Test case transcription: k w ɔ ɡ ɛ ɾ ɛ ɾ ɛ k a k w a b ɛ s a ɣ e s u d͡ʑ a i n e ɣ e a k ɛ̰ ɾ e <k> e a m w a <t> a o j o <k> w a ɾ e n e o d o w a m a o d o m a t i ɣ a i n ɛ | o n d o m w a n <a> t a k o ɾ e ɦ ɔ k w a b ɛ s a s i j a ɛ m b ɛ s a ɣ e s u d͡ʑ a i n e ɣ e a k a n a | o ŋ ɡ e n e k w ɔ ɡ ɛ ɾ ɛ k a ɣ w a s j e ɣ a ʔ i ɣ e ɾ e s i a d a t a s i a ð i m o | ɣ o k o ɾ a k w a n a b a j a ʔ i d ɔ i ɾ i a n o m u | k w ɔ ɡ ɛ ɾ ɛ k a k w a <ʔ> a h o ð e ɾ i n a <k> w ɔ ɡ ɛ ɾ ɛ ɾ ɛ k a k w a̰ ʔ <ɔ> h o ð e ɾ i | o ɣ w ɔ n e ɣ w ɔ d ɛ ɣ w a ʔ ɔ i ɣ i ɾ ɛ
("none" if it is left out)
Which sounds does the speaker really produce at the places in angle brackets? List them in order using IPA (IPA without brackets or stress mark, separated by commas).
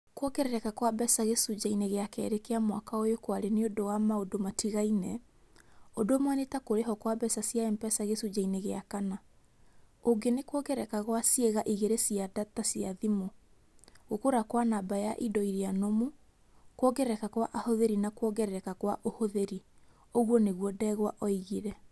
k, k, k, e, ʔ, k, o